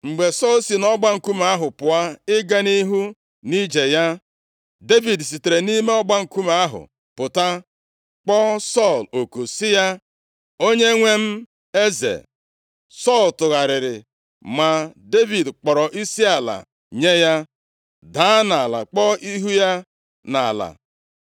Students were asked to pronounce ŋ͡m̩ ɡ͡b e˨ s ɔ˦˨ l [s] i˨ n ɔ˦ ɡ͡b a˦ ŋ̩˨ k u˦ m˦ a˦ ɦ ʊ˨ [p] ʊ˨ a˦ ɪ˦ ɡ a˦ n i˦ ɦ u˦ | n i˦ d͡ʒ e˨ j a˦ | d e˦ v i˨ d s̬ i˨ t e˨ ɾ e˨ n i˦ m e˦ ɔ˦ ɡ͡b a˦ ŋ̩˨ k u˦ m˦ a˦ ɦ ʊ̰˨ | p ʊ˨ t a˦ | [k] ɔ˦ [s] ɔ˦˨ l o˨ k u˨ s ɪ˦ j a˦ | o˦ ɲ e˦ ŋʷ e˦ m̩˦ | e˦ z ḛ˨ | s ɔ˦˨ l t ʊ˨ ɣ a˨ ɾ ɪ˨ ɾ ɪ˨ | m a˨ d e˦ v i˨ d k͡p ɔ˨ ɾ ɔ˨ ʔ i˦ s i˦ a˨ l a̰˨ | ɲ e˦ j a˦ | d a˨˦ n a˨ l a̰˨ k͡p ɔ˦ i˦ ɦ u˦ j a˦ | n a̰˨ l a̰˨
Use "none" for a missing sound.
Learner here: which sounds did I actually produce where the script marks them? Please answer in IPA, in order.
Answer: s, p, k͡p, s

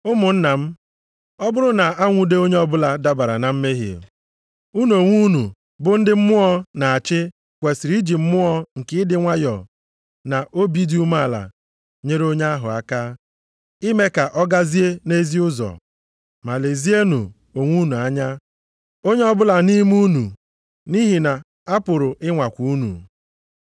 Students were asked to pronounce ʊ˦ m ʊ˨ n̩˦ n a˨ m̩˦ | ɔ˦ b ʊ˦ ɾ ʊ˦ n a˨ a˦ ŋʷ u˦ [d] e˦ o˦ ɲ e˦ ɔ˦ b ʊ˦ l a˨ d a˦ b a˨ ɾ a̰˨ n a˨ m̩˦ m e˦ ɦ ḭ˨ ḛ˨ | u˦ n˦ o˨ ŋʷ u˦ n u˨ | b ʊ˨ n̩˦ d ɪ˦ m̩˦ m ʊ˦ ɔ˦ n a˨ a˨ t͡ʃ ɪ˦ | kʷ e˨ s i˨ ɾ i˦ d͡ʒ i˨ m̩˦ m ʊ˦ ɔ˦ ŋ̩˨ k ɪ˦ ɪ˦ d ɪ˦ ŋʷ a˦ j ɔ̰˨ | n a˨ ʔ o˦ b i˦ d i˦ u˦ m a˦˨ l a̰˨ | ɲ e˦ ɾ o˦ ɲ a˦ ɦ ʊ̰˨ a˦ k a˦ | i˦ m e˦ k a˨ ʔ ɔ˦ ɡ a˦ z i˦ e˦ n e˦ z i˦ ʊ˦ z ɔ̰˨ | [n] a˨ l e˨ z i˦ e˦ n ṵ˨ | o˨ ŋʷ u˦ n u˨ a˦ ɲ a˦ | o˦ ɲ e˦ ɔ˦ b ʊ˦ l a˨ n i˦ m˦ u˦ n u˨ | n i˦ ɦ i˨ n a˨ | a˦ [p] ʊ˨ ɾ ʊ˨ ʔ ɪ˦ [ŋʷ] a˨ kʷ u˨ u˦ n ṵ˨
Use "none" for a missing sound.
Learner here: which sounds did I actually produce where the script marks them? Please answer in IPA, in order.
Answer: d, m, p, ŋʷ

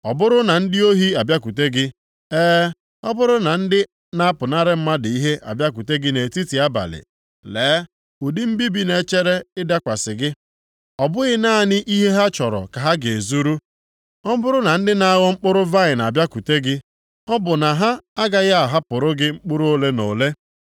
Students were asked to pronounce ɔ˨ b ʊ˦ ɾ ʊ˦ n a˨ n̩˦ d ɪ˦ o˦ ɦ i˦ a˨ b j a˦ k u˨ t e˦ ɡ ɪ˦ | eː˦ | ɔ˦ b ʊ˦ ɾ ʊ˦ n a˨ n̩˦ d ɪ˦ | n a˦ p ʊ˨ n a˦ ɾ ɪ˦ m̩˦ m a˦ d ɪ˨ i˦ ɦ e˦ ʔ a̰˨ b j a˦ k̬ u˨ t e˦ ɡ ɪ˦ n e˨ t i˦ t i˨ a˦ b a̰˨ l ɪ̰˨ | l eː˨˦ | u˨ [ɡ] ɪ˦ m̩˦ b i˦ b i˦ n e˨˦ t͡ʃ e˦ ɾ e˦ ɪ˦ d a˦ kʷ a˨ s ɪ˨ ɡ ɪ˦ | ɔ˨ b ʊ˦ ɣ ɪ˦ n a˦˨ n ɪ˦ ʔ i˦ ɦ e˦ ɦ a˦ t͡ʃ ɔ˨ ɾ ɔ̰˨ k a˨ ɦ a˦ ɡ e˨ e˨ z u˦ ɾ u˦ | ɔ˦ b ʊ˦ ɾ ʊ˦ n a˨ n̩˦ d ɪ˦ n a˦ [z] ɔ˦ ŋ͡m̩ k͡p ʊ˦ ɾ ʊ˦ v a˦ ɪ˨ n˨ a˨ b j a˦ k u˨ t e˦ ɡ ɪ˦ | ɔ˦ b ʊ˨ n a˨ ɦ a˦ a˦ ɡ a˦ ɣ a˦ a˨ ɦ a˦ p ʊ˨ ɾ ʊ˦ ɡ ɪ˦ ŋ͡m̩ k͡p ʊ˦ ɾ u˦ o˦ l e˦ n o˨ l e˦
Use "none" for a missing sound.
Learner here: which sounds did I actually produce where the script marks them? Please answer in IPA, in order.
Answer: d, ɣ

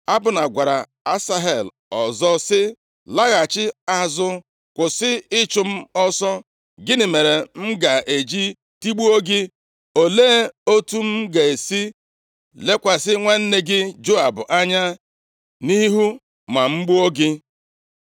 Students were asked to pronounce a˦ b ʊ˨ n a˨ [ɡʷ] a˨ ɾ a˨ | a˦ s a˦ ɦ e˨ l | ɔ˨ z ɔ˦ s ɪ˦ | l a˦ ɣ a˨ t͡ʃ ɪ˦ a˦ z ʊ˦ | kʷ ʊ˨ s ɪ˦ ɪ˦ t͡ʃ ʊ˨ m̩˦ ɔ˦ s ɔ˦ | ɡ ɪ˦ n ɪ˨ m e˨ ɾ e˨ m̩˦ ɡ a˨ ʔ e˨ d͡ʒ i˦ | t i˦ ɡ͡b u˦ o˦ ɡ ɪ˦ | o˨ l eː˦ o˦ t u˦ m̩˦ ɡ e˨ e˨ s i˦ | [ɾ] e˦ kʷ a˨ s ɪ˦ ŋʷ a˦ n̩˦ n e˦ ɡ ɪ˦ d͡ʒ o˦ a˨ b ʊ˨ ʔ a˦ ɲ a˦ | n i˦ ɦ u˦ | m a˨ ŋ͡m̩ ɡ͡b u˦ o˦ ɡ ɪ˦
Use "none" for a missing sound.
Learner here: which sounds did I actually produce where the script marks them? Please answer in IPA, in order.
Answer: ɡʷ, l

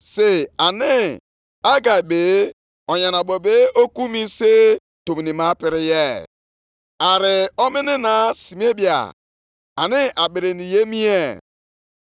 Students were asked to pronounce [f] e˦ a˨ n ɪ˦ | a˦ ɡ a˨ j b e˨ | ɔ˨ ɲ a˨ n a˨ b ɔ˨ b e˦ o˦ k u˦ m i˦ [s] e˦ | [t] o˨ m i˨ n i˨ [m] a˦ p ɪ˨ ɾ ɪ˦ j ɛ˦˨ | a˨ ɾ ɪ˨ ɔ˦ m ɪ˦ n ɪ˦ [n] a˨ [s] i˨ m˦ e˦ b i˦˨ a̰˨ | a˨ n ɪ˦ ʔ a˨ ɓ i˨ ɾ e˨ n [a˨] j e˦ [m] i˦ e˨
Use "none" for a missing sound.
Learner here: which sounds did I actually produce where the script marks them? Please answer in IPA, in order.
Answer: s, s, t, m, n, s, i˨, m

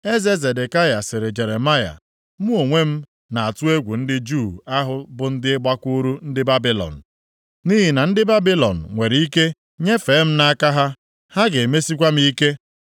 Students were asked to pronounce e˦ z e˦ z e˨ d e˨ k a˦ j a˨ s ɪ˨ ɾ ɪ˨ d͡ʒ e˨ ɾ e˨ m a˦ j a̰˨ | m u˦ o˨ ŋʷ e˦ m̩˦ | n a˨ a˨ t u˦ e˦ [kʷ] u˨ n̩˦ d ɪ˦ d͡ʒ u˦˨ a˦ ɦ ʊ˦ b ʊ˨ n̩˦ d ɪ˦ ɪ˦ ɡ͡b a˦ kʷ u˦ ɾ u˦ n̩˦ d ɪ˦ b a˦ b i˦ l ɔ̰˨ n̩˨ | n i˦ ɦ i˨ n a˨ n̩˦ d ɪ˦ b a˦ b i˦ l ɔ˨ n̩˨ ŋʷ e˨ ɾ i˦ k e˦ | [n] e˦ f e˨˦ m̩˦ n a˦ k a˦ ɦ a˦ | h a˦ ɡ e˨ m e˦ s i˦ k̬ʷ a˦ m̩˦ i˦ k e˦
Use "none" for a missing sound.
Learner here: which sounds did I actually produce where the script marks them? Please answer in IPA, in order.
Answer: ɡʷ, ɲ

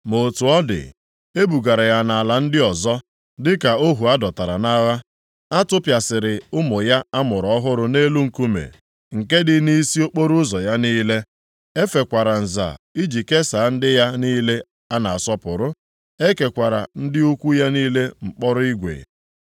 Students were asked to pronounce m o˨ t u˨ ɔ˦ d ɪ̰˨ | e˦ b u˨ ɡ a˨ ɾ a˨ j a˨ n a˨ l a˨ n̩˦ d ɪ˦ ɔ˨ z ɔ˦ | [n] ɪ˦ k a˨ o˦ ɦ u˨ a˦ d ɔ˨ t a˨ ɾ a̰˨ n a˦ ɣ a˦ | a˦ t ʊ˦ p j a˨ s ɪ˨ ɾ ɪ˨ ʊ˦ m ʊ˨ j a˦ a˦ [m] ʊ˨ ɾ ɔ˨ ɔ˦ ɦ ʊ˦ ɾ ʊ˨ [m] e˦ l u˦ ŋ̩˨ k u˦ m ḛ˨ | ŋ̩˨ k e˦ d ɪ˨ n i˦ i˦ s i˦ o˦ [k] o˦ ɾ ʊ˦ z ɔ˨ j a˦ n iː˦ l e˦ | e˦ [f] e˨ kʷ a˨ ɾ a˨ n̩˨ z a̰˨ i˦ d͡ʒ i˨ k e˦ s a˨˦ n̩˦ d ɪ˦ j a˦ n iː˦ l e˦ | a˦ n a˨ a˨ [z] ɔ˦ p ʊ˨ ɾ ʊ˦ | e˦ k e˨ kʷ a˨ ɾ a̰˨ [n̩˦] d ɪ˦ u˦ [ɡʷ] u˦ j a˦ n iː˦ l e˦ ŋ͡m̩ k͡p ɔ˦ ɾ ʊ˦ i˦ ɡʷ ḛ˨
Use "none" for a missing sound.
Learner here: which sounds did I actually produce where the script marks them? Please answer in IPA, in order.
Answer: d, m, n, k͡p, f, s, n̩˦, kʷ

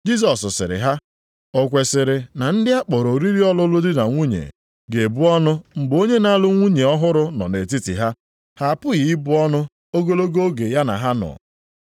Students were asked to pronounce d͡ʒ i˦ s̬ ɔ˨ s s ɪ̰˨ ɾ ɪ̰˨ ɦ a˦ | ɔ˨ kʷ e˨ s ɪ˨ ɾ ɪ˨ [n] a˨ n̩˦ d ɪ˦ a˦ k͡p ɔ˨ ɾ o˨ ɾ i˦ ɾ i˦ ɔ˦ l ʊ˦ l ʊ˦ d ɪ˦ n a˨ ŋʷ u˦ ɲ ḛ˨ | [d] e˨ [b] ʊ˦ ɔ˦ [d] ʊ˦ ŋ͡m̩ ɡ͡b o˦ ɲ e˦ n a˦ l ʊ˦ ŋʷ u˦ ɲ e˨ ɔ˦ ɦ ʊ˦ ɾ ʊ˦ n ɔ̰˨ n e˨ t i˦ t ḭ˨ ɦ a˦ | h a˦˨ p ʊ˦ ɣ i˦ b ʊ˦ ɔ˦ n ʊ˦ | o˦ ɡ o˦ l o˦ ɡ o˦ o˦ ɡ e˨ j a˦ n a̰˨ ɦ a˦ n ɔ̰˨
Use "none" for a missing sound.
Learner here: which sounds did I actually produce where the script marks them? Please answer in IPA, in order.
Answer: n, ɡ, b, n

